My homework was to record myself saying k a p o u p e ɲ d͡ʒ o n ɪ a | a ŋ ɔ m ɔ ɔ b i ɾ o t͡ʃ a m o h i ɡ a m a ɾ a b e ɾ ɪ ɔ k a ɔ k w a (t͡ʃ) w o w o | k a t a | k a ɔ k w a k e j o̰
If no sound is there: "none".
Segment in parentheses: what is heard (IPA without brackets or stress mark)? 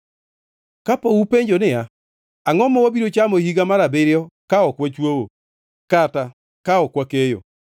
t͡ʃ